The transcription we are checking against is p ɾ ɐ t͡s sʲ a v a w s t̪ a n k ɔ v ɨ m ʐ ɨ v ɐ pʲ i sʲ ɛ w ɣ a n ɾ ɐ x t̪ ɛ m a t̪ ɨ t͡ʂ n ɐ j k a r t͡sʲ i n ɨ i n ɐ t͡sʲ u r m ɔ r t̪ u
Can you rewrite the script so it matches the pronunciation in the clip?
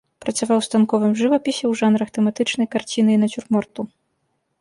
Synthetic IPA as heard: p ɾ ɐ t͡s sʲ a v a w s t̪ a n k ɔ v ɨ m ʐ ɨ v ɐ pʲ i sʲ ɛ w ʐ a n ɾ ɐ x t̪ ɛ m a t̪ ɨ t͡ʂ n ɐ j k a r t͡sʲ i n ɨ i n ɐ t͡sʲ u r m ɔ r t̪ u

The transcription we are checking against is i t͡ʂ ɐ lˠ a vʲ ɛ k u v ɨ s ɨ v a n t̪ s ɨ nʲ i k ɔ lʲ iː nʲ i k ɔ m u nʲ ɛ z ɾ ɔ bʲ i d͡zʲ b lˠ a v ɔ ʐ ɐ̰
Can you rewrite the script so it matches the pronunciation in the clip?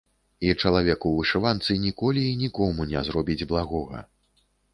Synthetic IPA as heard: i t͡ʂ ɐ lˠ a vʲ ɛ k u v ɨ ʂ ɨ v a n t̪ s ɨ nʲ i k ɔ lʲ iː nʲ i k ɔ m u nʲ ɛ z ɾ ɔ bʲ i d͡zʲ b lˠ a ɣ ɔ ɣ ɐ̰

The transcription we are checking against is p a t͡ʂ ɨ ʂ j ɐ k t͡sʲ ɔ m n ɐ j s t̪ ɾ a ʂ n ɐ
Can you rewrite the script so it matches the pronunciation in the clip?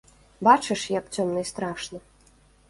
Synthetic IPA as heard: b a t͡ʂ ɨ ʂ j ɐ k t͡sʲ ɔ m n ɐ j s t̪ ɾ a ʂ n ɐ

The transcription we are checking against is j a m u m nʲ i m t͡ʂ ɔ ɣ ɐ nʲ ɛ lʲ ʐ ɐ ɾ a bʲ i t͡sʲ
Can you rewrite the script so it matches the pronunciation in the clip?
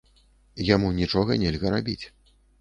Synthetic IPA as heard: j a m u nʲ i t͡ʂ ɔ ɣ ɐ nʲ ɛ lʲ ɣ ɐ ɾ a bʲ i t͡sʲ

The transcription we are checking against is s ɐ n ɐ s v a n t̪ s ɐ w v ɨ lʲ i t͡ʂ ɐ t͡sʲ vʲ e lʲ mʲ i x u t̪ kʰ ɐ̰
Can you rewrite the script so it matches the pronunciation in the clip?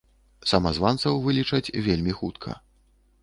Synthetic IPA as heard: s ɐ m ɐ z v a n t̪ s ɐ w v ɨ lʲ i t͡ʂ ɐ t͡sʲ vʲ e lʲ mʲ i x u t̪ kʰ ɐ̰

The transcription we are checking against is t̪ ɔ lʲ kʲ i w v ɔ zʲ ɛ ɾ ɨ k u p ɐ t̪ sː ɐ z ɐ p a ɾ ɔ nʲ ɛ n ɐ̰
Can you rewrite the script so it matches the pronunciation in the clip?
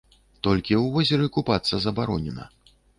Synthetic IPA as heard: t̪ ɔ lʲ kʲ i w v ɔ zʲ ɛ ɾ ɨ k u p a t̪ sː ɐ z ɐ b a ɾ ɔ nʲ ɛ n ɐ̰

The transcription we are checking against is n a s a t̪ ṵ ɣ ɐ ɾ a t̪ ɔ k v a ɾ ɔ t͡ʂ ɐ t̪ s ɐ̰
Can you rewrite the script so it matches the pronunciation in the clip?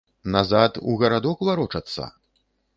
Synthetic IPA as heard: n a z a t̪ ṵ ɣ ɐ ɾ a d̪ ɔ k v a ɾ ɔ t͡ʂ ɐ t̪ sː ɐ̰

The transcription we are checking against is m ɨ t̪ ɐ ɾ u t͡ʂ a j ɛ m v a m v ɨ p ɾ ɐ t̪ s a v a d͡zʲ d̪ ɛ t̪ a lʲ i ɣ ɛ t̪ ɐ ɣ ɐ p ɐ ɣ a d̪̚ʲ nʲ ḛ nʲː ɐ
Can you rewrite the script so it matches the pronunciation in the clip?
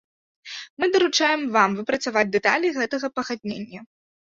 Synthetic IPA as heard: m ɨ d̪ ɐ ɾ u t͡ʂ a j ɛ m v a m v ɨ p ɾ ɐ t̪ s a v a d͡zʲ d̪ ɛ t̪ a lʲ i ɣ ɛ t̪ ɐ ɣ ɐ p ɐ ɣ a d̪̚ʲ nʲ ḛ nʲː ɐ

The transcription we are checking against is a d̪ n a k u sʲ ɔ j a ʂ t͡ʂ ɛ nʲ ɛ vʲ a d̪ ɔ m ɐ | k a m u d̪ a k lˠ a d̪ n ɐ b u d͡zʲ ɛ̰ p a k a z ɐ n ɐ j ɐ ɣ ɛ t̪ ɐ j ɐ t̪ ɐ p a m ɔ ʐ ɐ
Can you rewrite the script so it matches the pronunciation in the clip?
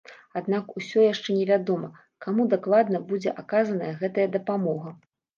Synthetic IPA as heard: a d̪ n a k u sʲ ɔ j a ʂ t͡ʂ ɛ nʲ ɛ vʲ a d̪ ɔ m ɐ | k a m u d̪ a k lˠ a d̪ n ɐ b u d͡zʲ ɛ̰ ʔ a k a z ɐ n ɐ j ɐ ɣ ɛ t̪ ɐ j ɐ d̪ ɐ p a m ɔ ɣ ɐ

